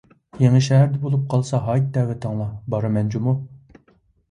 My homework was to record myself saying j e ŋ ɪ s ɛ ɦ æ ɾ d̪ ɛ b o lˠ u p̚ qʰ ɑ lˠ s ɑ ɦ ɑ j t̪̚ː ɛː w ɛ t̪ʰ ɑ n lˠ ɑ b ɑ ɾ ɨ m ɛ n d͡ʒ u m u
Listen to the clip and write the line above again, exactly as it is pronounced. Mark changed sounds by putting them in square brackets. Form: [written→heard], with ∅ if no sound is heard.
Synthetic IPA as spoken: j e ŋ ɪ [s→ʃ] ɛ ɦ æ ɾ d̪ ɛ b o lˠ u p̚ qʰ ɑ lˠ s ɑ ɦ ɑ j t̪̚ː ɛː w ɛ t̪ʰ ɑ [n→ŋ] lˠ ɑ b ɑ ɾ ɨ m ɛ n d͡ʒ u m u